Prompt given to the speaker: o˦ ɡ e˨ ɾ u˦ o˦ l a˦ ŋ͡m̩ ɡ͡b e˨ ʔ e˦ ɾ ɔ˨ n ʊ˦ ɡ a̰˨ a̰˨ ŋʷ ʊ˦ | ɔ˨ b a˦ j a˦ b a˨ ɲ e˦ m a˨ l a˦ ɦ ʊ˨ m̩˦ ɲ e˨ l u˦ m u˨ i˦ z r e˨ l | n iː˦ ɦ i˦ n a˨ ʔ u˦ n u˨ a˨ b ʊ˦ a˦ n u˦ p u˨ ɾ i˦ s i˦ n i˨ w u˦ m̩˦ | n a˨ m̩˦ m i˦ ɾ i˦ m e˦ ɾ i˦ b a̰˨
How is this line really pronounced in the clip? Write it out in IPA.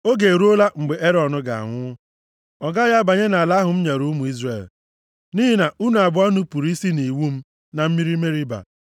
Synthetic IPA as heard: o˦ ɡ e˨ ɾ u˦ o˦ l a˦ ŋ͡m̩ ɡ͡b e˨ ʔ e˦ ɾ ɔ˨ n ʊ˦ ɡ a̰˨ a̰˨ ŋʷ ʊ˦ | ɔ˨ ɡ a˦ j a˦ b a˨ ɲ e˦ n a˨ l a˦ ɦ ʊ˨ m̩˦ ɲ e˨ ɾ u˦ m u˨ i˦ z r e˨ l | n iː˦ ɦ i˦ n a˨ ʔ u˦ n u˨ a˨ b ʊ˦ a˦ n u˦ p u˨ ɾ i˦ s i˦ n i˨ w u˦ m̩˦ | n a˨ m̩˦ m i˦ ɾ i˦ m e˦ ɾ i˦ b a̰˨